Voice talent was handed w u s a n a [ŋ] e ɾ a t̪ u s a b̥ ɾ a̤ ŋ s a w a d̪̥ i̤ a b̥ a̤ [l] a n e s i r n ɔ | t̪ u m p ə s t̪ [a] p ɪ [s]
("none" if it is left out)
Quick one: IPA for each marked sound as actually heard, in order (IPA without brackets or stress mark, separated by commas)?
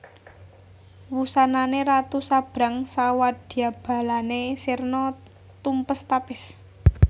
n, l, a, s